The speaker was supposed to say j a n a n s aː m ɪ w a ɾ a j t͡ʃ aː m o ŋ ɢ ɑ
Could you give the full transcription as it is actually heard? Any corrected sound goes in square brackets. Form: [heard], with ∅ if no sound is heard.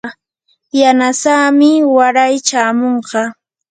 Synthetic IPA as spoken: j a n a [∅] s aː m ɪ w a ɾ a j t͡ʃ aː m o [ɴ] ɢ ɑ